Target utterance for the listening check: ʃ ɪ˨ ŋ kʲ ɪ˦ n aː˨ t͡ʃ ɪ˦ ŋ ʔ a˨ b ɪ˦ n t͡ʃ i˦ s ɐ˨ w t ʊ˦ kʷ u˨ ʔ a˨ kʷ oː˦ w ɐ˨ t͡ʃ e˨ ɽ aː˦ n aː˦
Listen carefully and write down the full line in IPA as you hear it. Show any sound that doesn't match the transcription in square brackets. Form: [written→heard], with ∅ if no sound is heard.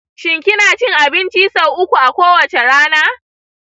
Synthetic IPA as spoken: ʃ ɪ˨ ŋ kʲ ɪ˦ n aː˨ t͡ʃ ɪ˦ ŋ ʔ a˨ b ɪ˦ n t͡ʃ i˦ s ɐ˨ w [t→ʔ] ʊ˦ kʷ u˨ ʔ a˨ kʷ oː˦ w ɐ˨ t͡ʃ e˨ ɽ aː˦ n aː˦